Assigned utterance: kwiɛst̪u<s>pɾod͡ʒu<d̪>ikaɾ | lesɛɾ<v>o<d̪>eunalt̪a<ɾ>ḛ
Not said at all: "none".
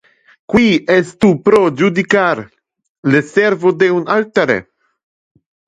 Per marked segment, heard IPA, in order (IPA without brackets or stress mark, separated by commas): none, d̪, v, d̪, ɾ